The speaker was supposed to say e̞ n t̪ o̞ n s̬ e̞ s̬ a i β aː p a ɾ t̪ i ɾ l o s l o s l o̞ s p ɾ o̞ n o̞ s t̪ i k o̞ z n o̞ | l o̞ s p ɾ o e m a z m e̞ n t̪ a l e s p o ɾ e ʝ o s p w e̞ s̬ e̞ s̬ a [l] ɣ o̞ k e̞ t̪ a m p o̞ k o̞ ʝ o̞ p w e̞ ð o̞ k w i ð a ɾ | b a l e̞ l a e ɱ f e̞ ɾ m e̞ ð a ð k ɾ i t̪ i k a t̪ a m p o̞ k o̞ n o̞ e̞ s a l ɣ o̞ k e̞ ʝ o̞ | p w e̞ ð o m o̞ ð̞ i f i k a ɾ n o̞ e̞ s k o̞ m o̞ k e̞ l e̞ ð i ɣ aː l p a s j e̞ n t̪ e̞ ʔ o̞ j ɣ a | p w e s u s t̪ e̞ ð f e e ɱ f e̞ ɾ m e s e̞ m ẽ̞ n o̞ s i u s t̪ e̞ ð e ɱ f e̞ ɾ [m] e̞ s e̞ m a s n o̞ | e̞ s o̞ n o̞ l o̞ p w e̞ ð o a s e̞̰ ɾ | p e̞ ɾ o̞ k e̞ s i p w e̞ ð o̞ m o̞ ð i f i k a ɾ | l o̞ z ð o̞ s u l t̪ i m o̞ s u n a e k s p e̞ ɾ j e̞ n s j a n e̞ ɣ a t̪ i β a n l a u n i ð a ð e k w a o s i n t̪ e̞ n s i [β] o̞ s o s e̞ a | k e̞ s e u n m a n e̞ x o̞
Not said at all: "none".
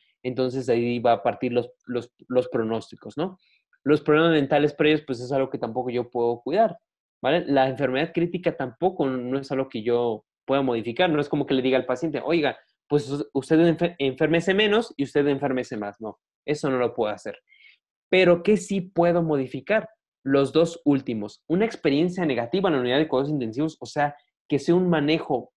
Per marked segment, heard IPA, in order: l, m, β

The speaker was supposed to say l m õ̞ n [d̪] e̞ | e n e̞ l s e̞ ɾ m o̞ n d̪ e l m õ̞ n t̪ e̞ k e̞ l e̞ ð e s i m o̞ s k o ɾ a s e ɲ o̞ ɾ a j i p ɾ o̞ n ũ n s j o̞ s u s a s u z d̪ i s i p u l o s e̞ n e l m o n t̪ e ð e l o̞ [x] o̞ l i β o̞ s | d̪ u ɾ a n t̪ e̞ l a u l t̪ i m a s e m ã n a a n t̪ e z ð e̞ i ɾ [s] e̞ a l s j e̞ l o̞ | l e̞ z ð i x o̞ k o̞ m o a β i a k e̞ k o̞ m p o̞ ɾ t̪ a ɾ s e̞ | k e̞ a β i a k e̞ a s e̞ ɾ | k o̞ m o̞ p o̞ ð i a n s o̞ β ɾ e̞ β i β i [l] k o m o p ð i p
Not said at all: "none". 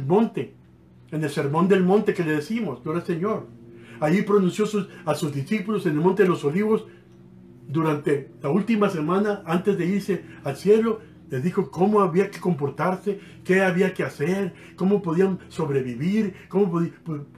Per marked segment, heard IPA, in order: t̪, s, s, ɾ

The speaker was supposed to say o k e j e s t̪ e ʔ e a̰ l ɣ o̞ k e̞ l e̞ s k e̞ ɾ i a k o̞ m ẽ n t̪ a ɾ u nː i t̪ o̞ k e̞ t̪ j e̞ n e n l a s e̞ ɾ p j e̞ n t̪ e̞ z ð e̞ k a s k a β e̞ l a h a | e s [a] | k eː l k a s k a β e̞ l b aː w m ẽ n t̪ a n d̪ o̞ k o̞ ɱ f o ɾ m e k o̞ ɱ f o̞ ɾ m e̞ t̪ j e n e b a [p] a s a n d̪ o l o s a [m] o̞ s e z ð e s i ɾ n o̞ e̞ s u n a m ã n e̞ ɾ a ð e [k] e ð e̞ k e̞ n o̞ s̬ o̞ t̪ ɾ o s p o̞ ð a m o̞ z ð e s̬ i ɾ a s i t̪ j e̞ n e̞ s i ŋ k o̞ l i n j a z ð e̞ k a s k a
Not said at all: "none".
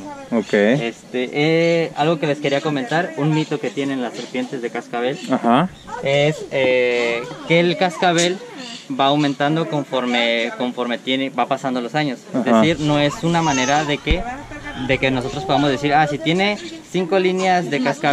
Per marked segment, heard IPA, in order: e, p, ɲ, k

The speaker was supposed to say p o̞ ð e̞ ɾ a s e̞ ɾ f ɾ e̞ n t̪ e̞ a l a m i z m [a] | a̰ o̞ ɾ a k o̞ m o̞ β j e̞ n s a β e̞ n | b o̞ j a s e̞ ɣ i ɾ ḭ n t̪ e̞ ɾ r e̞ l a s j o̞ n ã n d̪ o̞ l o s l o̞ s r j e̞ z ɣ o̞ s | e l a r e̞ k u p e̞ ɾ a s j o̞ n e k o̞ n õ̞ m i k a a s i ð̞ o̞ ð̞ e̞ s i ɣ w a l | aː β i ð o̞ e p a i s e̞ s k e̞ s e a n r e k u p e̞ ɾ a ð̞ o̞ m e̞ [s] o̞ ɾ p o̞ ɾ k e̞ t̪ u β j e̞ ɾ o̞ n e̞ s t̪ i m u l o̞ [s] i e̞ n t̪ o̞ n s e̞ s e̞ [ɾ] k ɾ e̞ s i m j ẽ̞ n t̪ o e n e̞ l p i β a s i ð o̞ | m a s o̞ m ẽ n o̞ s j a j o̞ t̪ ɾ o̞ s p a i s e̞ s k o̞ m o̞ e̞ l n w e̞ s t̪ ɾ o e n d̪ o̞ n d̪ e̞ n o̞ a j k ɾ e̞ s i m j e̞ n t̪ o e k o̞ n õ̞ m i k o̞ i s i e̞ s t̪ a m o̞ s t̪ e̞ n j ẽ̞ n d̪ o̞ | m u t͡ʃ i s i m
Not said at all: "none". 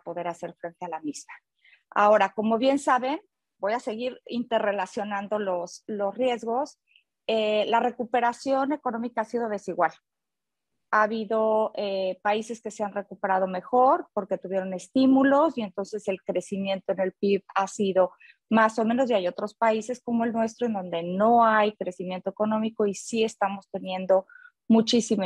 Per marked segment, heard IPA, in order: a, x, s, l

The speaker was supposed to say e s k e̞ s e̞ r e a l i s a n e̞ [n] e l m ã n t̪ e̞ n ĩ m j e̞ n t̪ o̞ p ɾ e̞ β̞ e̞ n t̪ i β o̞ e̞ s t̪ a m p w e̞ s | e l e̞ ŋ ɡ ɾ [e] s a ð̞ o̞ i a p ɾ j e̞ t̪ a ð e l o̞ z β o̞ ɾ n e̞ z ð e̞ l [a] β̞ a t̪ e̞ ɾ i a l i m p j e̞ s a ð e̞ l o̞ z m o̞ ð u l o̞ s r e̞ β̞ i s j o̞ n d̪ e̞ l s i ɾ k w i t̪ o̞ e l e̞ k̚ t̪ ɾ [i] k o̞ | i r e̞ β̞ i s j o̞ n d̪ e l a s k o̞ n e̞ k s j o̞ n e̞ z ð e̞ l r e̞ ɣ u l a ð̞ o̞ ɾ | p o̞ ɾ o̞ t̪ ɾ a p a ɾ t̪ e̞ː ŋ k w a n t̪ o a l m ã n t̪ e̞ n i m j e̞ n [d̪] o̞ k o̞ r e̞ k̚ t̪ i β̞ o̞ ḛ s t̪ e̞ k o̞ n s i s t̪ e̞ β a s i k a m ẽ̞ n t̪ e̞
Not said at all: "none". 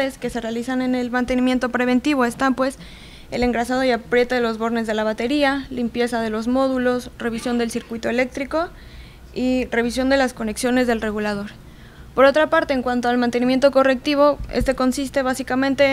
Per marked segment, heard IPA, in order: n, a, a, i, t̪

